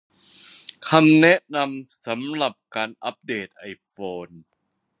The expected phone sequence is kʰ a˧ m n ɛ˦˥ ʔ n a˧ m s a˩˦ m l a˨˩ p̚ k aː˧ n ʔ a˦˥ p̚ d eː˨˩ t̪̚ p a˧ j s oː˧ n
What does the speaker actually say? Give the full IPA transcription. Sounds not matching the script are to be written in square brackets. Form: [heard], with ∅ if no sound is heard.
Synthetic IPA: kʰ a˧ m n ɛ˦˥ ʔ n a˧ m s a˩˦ m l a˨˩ p̚ k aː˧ n ʔ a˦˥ p̚ d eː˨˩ t̪̚ [ʔ] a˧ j [f] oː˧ n